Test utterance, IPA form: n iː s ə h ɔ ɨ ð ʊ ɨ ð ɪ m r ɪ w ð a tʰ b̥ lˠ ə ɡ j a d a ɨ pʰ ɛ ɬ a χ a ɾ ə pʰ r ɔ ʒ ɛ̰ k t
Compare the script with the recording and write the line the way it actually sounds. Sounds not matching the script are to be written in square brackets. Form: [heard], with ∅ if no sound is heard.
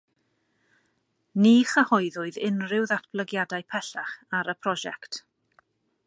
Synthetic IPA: n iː [χ] ə h ɔ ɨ ð ʊ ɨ ð ɪ [n] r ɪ w ð a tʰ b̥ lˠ ə ɡ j a d a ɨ pʰ ɛ ɬ a χ a ɾ ə pʰ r ɔ ʒ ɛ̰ k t

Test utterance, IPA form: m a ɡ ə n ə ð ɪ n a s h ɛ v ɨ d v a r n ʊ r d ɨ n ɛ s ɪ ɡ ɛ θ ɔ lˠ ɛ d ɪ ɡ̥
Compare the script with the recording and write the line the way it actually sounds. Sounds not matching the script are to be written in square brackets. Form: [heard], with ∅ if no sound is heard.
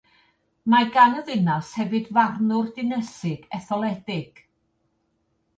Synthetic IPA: m a ɡ [a] n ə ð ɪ n a s h ɛ v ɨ d v a r n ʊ r d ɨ n ɛ s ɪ ɡ ɛ θ ɔ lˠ ɛ d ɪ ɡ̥

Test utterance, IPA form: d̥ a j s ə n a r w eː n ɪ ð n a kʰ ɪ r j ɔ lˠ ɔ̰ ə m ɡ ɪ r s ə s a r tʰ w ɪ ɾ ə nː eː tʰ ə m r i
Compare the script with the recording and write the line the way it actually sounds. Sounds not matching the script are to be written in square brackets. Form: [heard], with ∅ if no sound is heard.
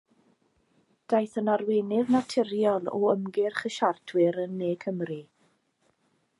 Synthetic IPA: d̥ a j [θ] ə n a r w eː n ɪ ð n a [tʰ] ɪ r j ɔ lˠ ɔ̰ ə m ɡ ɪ r [χ] ə [ʃ] a r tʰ w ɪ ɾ ə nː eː [kʰ] ə m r i

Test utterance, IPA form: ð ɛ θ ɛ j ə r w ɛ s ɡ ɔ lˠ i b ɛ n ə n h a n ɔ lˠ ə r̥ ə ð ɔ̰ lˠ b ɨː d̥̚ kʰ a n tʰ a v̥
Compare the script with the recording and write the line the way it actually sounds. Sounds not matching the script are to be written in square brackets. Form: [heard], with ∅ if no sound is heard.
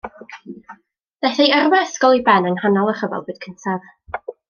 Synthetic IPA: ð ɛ θ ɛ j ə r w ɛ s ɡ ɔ lˠ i b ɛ n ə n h a n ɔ lˠ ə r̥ ə [v] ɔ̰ lˠ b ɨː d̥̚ kʰ [ə] n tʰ a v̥

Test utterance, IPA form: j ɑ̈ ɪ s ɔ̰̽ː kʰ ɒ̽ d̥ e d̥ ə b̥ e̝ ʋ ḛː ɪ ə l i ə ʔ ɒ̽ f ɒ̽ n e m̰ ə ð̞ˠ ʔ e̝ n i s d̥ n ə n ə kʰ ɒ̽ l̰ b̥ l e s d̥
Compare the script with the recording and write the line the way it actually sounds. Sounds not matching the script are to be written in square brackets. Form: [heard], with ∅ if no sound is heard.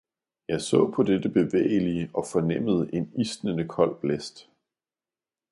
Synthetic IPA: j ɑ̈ ɪ s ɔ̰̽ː [pʰ] ɒ̽ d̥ e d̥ ə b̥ e̝ ʋ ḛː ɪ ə l i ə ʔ ɒ̽ f ɒ̽ n e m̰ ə ð̞ˠ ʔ e̝ n i s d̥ n ə n ə kʰ ɒ̽ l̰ b̥ l e s d̥

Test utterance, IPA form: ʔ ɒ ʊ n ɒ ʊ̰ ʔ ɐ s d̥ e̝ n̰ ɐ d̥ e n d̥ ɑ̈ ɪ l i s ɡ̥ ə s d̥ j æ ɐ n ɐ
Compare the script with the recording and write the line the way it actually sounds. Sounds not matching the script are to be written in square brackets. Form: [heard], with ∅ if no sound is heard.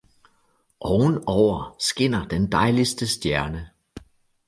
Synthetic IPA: ʔ ɒ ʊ n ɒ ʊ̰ [∅] ɐ s [ɡ̥] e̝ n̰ ɐ d̥ e n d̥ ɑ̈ ɪ l i s [d̥] ə s d̥ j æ ɐ n [ə]

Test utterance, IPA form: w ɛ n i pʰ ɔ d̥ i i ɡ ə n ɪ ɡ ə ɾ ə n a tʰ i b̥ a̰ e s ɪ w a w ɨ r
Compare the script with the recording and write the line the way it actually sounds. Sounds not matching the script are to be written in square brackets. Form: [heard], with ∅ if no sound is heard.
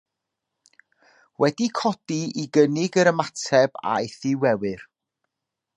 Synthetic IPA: w ɛ [d] i [kʰ] ɔ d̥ i i ɡ ə n ɪ ɡ ə ɾ ə [m] a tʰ [ɛ] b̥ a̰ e [θ] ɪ w [ɛ] w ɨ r

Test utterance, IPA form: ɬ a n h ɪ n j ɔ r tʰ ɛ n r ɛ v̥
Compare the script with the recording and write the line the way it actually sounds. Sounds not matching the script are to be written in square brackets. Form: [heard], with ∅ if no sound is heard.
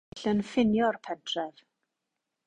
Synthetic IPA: ɬ [ə] n [f] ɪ n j ɔ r [pʰ] ɛ [d] r ɛ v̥

